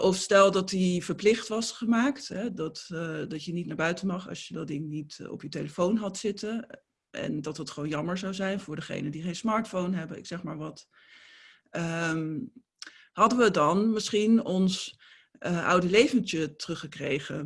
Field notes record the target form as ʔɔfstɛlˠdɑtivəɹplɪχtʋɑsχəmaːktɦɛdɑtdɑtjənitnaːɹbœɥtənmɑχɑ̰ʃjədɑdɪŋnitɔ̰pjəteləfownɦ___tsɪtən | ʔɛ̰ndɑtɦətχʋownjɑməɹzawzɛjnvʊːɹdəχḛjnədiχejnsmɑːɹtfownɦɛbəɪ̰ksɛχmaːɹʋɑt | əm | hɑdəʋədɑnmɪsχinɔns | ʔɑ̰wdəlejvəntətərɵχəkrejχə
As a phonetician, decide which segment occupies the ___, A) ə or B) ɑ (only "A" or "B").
B